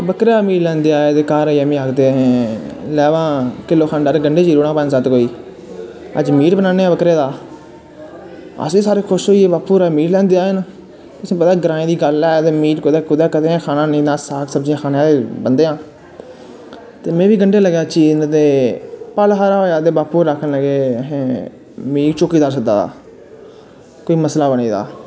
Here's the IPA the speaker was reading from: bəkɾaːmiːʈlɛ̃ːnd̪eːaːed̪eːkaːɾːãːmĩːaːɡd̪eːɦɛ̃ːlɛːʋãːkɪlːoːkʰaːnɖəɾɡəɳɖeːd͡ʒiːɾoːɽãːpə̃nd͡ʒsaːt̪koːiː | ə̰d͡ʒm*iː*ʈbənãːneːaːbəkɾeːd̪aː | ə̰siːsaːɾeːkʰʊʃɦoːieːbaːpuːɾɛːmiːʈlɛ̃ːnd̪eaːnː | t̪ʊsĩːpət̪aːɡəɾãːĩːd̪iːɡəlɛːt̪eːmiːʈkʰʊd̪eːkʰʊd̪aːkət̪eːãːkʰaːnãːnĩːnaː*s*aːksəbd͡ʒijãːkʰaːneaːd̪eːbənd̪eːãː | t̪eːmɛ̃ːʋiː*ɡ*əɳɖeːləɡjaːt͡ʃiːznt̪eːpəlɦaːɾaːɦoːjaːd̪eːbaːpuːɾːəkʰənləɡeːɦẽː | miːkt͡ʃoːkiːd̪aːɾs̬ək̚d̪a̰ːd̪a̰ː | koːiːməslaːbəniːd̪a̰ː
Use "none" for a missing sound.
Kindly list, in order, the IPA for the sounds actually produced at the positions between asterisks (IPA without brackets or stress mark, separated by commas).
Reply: iː, s, ɡ